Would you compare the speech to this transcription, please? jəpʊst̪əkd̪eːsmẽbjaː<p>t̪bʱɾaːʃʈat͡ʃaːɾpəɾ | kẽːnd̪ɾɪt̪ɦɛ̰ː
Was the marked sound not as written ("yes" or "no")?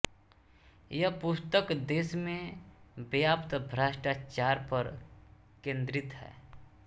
no